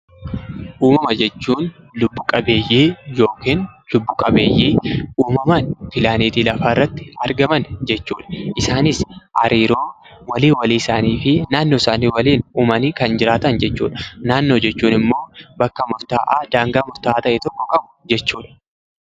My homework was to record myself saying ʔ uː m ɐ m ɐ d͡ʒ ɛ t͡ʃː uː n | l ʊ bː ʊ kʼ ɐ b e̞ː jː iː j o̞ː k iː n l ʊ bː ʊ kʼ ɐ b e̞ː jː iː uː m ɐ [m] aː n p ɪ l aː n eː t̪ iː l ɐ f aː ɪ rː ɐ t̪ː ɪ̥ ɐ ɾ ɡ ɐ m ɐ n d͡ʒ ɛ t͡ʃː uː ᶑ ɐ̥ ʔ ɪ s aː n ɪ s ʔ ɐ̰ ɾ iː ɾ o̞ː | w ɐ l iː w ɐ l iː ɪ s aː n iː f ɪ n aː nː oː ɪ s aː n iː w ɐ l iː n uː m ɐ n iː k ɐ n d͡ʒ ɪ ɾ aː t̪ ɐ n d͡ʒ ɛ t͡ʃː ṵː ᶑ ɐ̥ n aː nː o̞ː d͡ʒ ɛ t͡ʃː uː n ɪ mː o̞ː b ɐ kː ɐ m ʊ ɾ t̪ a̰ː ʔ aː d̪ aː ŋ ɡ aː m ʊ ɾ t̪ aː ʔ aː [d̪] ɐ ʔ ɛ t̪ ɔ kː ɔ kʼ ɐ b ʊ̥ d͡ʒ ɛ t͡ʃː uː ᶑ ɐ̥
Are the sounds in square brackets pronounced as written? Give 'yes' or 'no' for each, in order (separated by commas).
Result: yes, no